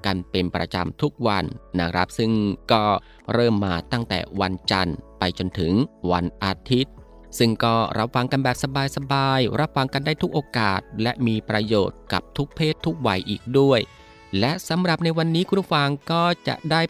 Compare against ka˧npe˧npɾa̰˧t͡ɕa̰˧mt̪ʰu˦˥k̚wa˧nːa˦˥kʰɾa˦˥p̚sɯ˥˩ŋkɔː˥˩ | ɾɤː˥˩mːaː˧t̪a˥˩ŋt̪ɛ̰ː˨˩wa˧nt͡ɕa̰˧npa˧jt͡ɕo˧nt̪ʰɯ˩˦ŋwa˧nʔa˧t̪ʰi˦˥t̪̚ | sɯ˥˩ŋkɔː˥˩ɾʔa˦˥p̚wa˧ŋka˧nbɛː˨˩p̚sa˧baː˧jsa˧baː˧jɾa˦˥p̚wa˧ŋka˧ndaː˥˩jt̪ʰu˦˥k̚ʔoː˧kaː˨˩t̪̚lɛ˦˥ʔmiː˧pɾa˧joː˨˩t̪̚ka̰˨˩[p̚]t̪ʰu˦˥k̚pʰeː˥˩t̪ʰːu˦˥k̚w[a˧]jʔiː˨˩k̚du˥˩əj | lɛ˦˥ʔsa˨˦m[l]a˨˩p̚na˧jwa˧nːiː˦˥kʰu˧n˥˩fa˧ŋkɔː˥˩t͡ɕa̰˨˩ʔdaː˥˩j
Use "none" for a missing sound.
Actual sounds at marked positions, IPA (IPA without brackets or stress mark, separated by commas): p̚, a˧, ɾ